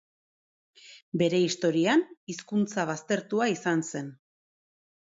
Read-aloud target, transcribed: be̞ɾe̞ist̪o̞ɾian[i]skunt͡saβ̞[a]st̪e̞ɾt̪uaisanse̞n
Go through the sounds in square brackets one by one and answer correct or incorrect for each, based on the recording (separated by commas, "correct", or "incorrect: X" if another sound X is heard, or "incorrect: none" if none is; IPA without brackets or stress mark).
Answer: correct, correct